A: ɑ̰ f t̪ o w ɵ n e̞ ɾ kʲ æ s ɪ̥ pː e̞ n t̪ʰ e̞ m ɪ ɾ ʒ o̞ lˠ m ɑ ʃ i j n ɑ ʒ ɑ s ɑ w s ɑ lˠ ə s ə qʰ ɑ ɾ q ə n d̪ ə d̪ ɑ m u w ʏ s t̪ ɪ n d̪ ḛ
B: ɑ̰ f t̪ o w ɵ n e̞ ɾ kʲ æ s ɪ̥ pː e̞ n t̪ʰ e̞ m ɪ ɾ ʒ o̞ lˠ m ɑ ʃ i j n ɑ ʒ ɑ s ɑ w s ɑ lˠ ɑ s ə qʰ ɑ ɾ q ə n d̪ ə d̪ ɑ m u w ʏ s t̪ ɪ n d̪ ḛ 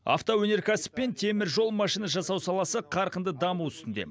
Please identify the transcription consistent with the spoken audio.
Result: B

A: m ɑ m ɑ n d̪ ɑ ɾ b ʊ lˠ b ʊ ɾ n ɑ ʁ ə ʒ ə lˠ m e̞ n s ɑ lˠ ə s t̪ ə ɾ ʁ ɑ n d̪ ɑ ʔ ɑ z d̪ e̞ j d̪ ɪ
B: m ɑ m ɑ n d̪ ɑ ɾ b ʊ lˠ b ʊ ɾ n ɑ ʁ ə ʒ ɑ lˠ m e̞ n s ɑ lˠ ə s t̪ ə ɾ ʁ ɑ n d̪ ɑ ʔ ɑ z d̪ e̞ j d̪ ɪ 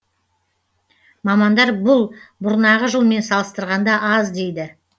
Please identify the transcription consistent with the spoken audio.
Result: A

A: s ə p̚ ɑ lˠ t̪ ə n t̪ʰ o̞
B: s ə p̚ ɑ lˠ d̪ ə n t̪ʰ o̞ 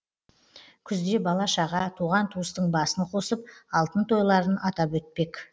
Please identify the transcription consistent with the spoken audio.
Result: A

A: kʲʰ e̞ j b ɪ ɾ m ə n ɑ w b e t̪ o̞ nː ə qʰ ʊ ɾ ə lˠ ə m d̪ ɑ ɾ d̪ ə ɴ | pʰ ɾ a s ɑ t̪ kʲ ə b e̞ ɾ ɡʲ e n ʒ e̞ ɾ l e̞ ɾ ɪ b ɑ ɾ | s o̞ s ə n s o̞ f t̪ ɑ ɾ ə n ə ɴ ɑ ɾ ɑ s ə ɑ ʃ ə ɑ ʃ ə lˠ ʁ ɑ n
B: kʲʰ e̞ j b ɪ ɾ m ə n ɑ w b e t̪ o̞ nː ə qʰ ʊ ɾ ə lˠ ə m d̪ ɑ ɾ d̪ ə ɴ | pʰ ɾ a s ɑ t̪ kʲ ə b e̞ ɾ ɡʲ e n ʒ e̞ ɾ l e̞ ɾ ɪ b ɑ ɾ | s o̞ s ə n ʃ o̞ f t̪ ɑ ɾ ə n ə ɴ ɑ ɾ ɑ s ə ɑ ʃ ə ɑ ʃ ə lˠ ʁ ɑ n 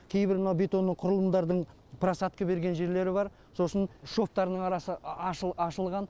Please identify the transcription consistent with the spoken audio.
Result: B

